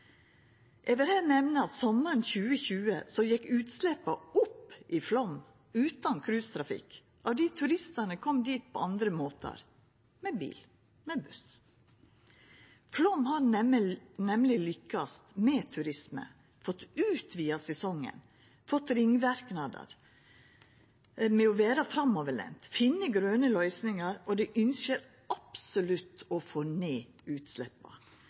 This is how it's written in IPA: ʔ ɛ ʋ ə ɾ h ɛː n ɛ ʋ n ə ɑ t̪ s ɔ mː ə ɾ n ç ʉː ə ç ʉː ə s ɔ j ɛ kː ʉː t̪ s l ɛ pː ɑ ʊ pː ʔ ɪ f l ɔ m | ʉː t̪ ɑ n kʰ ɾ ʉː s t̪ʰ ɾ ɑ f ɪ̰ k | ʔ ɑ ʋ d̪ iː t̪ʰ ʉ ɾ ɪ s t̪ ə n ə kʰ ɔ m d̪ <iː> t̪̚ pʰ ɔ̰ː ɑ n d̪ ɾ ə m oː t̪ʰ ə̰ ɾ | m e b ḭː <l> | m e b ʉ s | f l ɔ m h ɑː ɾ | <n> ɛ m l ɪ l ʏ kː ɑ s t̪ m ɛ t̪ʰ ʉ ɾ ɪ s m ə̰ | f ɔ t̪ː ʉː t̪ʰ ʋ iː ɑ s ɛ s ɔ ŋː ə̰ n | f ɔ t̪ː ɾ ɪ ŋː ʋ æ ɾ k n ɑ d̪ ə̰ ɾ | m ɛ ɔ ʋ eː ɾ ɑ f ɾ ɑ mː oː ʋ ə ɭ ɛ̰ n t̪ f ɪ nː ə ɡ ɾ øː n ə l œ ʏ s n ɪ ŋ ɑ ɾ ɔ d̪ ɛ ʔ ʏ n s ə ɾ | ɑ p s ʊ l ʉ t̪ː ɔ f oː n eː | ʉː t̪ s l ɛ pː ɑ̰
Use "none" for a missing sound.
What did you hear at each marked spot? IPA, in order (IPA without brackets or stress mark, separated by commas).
iː, l, n